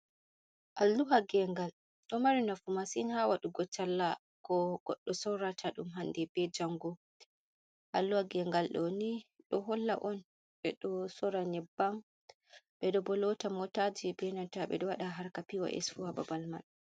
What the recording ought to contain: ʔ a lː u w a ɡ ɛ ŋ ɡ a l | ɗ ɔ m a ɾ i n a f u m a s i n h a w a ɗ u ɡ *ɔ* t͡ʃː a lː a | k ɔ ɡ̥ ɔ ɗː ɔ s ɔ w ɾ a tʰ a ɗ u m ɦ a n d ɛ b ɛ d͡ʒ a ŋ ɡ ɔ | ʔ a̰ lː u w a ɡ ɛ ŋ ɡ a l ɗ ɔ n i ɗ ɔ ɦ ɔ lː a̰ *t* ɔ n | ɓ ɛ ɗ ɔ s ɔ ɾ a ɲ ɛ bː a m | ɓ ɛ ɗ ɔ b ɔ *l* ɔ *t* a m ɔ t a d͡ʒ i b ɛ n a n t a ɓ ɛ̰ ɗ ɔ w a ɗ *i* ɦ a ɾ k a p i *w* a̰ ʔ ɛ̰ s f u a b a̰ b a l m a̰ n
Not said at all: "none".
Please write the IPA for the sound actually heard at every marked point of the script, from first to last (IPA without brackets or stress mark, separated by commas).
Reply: ɔ, ʔ, l, t, a, w